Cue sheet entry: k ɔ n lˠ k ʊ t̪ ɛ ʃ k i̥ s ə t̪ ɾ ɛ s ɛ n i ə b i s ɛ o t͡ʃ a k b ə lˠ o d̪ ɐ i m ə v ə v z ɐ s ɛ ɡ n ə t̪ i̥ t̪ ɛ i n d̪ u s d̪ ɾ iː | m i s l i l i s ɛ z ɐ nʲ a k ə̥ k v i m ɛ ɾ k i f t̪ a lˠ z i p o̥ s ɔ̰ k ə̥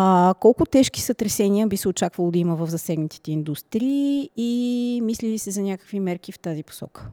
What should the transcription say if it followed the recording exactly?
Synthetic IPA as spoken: k ɔ lˠ k ʊ t̪ ɛ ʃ k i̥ s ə t̪ ɾ ɛ s ɛ n i ə b i s ɛ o t͡ʃ a k v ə lˠ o d̪ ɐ i m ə v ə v z ɐ s ɛ ɡ n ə t̪ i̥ t̪ ɛ i n d̪ u s t̪ ɾ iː | m i s l i l i s ɛ z ɐ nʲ a k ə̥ k v i m ɛ ɾ k i f t̪ a z i p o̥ s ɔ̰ k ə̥